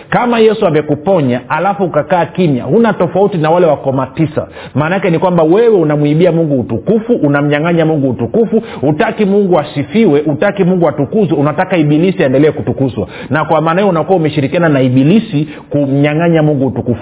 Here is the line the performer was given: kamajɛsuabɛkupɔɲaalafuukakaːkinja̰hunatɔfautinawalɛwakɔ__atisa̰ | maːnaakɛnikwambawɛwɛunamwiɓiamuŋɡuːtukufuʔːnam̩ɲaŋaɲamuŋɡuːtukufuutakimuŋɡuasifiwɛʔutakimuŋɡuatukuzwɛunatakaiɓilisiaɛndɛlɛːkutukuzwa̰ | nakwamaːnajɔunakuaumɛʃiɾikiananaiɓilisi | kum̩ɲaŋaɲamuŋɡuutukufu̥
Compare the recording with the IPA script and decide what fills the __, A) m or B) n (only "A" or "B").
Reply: A